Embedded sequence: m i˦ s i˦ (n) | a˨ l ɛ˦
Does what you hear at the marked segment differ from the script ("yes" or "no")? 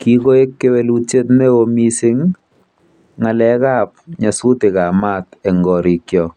yes